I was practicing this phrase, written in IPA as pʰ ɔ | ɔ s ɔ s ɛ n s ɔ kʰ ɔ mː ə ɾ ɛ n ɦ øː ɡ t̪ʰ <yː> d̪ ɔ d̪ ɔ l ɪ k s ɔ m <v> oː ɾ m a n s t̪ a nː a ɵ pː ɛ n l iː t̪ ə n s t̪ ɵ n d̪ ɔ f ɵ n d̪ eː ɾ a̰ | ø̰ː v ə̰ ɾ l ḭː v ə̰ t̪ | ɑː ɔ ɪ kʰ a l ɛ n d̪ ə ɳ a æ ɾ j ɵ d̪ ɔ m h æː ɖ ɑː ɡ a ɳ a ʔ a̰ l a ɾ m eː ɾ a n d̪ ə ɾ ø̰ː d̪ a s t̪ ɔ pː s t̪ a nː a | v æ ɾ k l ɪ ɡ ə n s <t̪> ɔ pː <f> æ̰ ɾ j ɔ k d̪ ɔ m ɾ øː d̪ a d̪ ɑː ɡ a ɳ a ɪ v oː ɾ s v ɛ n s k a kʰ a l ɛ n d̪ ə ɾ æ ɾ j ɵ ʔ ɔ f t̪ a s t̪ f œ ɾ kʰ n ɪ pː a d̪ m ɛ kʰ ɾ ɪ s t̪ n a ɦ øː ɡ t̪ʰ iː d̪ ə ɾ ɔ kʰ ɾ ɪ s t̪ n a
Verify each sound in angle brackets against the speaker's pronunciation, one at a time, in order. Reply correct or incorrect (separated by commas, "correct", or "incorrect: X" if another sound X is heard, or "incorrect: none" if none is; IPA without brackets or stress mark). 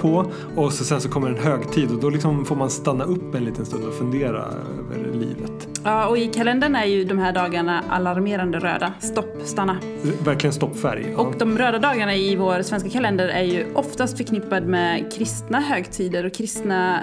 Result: incorrect: iː, incorrect: f, correct, correct